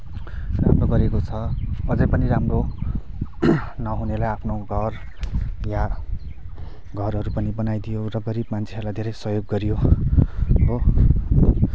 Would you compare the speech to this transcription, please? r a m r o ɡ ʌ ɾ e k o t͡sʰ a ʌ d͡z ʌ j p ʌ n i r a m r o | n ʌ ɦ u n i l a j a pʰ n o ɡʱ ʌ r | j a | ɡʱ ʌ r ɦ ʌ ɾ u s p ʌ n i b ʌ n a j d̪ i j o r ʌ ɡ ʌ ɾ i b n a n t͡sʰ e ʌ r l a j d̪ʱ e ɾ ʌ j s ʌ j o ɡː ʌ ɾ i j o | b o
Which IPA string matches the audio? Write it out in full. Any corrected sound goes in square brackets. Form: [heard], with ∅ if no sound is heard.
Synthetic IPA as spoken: r a m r o ɡ ʌ ɾ e k o t͡sʰ [ʌ] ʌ d͡z ʌ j p ʌ n i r a m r o | n ʌ ɦ u n [e] l a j a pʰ n o ɡʱ ʌ r | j a | ɡʱ ʌ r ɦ ʌ ɾ u [∅] p ʌ n i b ʌ n a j d̪ i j o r ʌ ɡ ʌ ɾ i b [m] a n t͡sʰ e ʌ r l a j d̪ʱ e ɾ ʌ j s ʌ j o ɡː ʌ ɾ i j o | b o